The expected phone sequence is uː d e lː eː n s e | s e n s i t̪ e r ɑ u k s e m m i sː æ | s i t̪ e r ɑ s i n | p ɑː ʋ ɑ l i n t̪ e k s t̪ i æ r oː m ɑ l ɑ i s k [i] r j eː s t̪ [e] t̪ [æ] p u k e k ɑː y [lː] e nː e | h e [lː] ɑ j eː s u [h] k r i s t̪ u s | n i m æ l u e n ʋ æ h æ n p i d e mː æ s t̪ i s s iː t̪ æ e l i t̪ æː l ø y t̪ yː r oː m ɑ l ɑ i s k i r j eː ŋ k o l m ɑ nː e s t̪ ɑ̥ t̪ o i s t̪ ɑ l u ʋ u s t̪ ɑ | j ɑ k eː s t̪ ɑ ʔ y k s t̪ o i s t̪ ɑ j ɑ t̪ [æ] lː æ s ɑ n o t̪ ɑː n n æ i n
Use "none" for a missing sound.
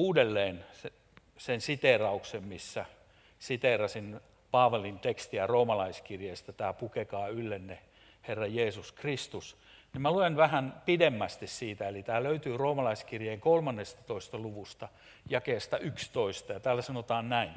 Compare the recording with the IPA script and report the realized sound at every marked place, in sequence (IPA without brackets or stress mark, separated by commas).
i, æ, æː, lː, rː, s, æː